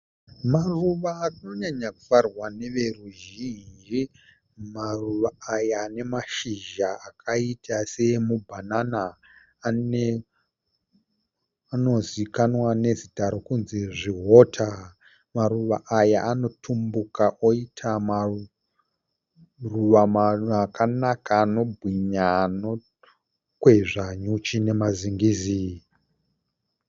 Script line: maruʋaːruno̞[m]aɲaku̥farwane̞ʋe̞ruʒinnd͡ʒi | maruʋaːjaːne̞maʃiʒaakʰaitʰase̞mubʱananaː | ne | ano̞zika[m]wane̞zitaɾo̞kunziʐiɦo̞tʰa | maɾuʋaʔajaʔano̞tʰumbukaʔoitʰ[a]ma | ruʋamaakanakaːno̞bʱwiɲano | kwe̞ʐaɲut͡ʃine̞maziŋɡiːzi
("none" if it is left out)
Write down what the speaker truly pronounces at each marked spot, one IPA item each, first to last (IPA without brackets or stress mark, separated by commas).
ɲ, n, a